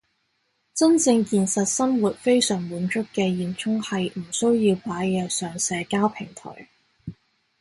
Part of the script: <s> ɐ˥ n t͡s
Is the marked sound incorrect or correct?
incorrect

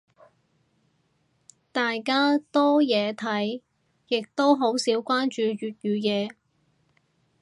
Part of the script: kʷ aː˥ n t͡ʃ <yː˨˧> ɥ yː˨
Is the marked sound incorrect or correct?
correct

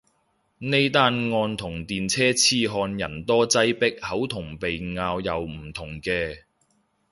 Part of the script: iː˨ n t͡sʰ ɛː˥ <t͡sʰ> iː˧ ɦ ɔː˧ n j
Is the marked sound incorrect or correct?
correct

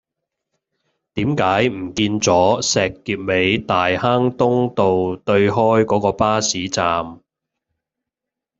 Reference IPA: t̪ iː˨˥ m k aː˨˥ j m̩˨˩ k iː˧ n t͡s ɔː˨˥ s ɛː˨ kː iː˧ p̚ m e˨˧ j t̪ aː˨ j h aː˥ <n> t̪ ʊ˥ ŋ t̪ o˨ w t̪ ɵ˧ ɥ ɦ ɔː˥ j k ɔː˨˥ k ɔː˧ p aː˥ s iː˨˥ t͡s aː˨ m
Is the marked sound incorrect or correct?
incorrect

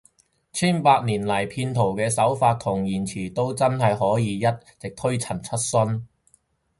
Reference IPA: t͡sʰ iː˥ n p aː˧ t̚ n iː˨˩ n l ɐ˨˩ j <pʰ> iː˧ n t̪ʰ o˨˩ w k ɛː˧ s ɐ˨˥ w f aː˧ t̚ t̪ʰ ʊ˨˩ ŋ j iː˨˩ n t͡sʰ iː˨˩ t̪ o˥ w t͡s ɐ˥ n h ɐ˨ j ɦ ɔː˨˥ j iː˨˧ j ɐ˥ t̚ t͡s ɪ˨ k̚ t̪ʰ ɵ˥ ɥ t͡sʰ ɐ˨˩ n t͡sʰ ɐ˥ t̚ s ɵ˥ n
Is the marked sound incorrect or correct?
correct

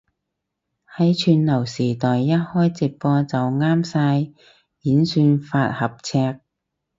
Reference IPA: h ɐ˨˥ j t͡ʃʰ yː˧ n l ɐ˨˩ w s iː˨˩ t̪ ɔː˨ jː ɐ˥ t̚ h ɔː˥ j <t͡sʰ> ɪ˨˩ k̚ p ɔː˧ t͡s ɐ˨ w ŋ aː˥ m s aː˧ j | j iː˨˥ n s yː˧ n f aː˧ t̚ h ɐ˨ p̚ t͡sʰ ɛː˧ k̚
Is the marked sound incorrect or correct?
incorrect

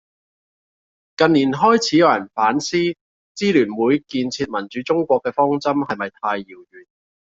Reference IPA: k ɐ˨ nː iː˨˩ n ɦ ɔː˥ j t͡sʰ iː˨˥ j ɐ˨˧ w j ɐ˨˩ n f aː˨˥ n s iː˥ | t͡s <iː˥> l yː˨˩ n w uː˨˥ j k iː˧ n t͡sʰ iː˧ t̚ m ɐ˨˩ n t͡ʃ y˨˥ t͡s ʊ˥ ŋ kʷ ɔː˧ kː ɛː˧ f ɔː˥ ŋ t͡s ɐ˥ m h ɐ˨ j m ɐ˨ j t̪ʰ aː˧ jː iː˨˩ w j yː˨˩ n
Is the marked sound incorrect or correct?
correct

